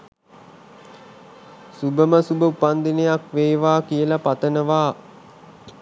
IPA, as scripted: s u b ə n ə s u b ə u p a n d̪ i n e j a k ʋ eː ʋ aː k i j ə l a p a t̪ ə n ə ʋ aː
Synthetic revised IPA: s u b ə m ə s u b ə u p a n d̪ i n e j a k ʋ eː ʋ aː k i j ə l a p a t̪ ə n ə ʋ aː